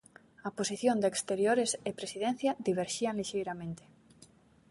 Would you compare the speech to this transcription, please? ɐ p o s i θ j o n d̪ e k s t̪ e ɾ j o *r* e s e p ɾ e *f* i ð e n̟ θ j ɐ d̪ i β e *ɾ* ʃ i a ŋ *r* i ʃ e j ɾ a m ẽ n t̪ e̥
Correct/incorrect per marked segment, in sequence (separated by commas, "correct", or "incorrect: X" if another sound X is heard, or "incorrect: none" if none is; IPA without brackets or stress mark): incorrect: ɾ, incorrect: s, correct, incorrect: l